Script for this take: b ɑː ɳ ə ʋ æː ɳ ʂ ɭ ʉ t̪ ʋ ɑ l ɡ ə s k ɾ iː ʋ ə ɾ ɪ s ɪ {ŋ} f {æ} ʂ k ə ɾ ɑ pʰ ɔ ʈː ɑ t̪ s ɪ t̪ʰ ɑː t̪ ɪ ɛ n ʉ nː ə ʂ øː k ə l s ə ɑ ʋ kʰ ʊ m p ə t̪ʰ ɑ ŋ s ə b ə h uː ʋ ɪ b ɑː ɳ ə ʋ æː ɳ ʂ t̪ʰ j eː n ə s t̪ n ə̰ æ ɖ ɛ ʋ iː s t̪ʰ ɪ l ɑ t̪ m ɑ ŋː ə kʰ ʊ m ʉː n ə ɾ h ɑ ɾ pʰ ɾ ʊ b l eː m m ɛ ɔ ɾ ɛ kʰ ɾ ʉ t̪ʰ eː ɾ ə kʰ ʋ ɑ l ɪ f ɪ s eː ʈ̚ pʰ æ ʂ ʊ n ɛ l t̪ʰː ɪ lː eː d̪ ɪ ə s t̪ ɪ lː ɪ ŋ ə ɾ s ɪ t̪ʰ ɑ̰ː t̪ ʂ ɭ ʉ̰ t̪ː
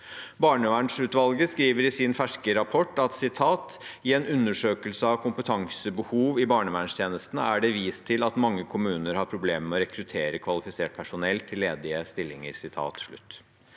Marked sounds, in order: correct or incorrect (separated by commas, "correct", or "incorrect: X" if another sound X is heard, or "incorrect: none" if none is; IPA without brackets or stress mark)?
incorrect: n, correct